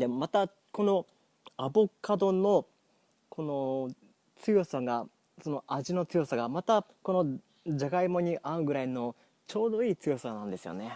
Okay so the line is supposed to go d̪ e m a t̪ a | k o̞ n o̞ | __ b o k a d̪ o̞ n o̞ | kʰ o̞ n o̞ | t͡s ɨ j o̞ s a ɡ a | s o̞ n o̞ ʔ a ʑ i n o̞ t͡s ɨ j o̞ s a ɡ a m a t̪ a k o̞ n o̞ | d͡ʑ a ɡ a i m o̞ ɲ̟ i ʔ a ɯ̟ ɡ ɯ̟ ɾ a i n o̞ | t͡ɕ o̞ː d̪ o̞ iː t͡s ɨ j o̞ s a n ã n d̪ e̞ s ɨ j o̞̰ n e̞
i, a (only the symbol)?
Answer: a